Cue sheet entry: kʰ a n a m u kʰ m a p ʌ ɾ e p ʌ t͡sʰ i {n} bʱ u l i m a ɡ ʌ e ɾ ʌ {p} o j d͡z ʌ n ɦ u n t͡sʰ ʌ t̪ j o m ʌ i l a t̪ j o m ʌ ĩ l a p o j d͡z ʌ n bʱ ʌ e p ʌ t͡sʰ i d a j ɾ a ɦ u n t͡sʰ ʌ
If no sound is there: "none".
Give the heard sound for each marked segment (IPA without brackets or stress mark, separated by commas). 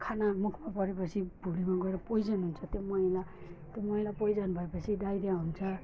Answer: none, p